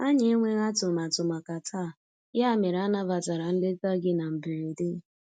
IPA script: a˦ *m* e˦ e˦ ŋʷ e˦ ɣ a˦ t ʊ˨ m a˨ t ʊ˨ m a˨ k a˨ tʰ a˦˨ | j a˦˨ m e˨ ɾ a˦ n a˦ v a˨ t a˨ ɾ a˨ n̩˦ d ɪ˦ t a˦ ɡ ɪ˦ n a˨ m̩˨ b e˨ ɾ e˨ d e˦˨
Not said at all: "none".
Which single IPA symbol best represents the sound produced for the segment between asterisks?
ɲ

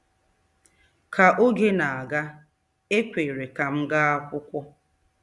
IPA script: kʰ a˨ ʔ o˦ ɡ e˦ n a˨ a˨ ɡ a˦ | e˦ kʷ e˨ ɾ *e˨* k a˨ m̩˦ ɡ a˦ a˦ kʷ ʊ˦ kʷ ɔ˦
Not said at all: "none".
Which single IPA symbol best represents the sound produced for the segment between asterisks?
e˨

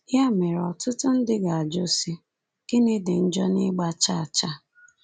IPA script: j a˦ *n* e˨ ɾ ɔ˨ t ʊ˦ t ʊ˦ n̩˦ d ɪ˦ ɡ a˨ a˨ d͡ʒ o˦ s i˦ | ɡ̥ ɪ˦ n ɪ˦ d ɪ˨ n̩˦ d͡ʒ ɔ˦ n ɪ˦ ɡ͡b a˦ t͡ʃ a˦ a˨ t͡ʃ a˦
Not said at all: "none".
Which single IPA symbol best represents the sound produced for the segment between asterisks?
m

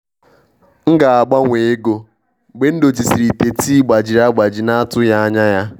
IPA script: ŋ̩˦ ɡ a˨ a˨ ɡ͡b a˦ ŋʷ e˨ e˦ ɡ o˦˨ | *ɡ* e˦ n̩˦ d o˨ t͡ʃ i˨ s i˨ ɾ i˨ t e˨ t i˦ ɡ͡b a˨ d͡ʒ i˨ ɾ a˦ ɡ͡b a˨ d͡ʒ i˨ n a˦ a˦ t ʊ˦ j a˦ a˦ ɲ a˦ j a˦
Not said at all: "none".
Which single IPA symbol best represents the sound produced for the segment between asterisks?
ɡ͡b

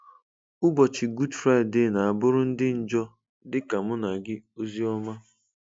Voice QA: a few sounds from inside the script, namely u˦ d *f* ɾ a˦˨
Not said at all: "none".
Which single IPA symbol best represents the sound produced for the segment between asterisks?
f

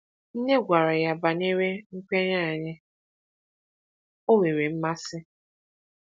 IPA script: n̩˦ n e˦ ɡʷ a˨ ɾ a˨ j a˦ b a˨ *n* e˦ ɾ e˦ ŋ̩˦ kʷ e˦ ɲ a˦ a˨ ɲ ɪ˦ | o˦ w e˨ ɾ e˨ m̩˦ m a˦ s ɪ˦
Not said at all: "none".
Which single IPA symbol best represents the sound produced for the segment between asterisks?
n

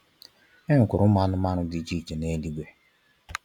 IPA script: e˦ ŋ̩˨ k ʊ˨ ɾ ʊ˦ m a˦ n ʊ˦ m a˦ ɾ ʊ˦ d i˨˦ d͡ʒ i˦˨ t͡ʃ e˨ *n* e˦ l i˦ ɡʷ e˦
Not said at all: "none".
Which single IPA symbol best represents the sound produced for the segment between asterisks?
n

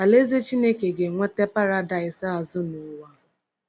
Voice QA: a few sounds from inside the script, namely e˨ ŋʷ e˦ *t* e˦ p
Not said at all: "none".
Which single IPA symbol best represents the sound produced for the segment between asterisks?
t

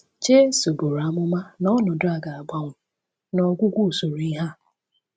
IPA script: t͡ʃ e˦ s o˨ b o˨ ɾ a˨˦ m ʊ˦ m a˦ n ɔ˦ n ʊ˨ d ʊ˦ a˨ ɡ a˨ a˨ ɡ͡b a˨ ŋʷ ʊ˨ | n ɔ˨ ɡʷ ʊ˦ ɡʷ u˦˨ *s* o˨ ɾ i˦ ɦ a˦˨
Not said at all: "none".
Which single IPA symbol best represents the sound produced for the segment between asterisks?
s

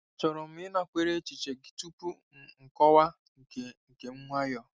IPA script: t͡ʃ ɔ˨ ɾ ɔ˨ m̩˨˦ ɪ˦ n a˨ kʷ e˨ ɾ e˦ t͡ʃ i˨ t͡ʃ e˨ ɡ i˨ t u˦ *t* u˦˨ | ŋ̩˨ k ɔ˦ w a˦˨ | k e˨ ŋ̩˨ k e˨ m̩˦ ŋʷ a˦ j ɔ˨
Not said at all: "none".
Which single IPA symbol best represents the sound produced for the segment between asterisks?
p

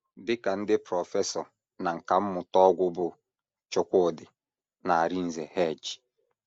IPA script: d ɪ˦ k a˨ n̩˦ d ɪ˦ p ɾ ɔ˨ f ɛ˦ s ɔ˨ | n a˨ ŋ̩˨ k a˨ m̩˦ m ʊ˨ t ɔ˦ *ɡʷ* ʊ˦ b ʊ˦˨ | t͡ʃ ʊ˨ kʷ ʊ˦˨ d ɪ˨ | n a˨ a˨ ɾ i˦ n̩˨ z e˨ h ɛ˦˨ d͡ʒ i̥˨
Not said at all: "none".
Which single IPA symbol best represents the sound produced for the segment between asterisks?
ɡʷ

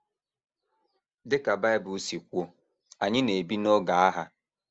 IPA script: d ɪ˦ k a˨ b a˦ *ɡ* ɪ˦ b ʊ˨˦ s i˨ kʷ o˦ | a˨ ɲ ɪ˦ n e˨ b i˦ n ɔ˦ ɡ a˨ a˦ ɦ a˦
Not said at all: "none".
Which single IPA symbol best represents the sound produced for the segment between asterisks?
none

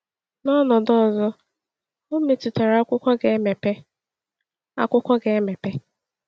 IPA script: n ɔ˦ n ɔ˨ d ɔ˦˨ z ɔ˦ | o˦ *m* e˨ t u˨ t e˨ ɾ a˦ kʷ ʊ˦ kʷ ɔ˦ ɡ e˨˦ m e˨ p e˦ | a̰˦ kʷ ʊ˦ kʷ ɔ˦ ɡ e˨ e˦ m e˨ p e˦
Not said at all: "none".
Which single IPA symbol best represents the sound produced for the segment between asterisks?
m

